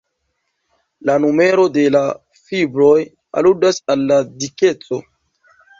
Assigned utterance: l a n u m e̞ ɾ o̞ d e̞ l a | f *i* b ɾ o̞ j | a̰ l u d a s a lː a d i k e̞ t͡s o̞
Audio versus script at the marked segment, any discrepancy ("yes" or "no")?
no